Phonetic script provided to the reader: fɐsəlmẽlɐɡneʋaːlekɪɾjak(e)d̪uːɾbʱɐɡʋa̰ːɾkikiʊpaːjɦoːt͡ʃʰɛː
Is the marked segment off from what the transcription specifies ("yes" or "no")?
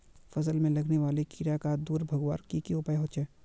yes